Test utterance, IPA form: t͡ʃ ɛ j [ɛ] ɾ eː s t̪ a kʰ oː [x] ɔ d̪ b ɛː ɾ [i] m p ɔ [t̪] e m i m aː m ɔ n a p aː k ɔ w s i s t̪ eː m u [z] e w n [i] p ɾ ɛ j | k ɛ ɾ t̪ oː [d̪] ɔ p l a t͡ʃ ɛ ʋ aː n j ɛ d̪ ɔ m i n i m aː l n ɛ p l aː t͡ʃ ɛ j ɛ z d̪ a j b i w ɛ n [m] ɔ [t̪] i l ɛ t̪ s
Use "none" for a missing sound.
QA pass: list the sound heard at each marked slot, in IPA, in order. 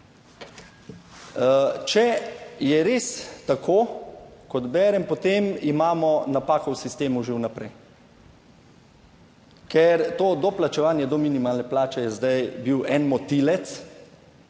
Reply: ɛ, k, ɛ, t̪, ʒ, a, d̪, m, t̪

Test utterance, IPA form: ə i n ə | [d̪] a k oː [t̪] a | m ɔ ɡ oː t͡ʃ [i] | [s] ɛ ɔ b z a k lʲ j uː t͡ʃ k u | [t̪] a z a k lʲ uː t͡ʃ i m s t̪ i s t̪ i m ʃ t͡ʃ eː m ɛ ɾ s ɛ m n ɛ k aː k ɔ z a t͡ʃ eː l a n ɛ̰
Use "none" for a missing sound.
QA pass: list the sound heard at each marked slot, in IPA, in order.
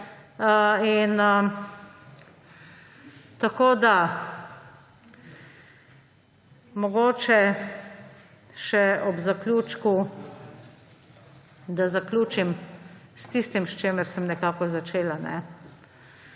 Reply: t̪, d̪, ɛ, ʃ, d̪

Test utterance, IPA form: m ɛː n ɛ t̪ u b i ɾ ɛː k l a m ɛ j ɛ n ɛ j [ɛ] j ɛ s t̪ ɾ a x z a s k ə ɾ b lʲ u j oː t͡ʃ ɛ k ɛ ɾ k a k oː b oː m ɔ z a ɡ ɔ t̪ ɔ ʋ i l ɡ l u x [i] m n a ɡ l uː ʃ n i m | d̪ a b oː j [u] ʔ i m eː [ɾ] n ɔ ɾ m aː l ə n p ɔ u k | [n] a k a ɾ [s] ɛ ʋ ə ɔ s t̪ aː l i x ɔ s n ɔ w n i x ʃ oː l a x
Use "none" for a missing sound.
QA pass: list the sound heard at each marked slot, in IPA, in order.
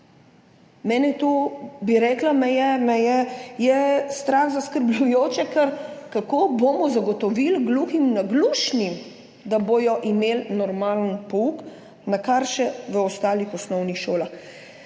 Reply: ɛ, i, ɔ, l, n, ʃ

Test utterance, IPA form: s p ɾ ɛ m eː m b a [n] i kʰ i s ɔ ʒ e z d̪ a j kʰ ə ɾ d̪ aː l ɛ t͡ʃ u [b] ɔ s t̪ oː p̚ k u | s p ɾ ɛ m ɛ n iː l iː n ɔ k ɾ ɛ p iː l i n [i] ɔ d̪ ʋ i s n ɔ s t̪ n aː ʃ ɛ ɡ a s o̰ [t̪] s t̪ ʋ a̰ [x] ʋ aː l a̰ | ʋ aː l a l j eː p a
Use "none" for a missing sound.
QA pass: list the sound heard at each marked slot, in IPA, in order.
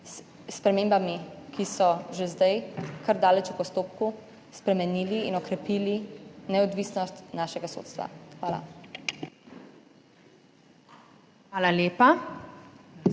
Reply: m, p, ɛ, t̪, x

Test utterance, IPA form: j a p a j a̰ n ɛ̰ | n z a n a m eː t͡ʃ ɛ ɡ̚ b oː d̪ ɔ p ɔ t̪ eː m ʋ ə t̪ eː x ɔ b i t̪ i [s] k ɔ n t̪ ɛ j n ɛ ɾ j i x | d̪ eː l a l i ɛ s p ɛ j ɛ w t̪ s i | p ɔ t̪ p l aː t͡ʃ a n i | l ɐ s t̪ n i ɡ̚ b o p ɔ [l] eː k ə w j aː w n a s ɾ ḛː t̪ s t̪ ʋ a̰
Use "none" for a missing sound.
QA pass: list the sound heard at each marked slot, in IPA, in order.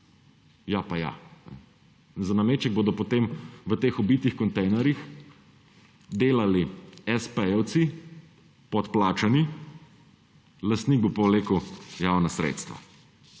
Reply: x, l

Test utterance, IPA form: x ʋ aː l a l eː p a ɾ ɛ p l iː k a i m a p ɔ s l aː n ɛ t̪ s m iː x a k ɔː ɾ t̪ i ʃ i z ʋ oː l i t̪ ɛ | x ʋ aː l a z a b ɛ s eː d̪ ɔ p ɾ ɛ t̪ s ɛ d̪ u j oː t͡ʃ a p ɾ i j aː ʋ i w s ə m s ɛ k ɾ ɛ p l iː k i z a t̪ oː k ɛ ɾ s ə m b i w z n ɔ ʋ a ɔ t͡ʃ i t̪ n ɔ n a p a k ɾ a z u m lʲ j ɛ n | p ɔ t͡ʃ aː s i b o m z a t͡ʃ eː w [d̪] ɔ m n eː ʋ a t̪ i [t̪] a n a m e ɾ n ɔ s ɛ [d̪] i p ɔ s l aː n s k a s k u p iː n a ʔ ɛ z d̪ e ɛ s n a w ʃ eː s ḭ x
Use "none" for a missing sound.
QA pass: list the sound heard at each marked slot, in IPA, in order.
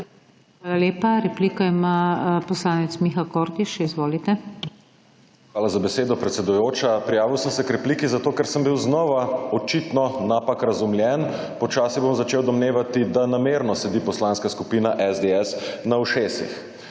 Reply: d̪, d̪, d̪

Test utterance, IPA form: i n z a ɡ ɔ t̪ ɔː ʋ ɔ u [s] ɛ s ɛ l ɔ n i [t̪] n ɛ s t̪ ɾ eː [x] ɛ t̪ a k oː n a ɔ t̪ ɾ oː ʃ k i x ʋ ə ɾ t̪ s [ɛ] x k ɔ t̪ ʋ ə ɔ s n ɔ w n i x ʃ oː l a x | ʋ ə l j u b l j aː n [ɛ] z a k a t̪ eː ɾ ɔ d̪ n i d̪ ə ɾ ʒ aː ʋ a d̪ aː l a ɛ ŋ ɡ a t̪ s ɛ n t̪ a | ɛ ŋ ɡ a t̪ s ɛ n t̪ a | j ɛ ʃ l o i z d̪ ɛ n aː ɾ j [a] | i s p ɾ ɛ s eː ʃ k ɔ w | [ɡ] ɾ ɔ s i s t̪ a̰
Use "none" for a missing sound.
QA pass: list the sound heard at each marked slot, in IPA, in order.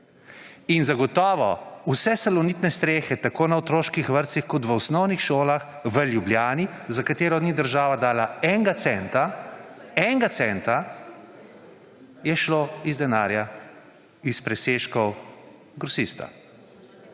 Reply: s, t̪, x, i, i, a, ɡ

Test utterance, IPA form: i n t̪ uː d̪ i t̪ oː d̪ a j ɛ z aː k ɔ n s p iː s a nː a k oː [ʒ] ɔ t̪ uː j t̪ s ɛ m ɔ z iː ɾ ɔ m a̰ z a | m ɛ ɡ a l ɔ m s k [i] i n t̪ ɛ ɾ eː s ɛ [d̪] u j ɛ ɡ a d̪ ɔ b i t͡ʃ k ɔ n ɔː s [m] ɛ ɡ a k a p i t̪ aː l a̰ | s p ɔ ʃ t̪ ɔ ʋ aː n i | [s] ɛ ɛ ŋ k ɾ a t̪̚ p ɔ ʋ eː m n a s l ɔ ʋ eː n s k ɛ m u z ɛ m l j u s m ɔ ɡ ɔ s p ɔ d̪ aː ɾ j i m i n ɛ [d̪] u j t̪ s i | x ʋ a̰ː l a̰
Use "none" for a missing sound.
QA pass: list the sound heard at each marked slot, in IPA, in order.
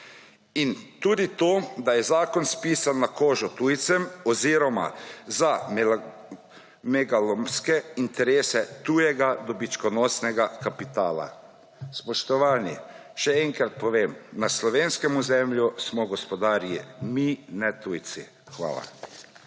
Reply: ʒ, ɛ, t̪, n, ʃ, t̪

